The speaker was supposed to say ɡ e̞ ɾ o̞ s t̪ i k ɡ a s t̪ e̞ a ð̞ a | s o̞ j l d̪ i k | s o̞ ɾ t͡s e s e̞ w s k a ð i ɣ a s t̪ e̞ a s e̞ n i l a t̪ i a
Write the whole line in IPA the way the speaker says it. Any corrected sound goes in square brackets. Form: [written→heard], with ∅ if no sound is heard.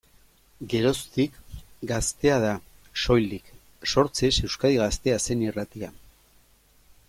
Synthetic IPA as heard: ɡ e̞ ɾ o̞ s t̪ i k ɡ a s t̪ e̞ a ð̞ a | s o̞ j l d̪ i k | s o̞ ɾ t͡s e s e̞ w s k a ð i ɣ a s t̪ e̞ a s e̞ n i [l→r] a t̪ i a